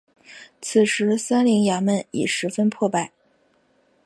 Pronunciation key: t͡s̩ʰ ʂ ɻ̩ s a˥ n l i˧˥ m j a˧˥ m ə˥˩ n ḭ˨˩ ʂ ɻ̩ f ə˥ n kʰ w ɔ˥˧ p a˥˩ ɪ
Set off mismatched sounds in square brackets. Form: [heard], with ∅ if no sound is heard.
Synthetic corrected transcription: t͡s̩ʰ ʂ ɻ̩ s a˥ n l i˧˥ [ŋ] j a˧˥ m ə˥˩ n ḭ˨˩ ʂ ɻ̩ f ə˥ n [pʰ] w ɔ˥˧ p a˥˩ ɪ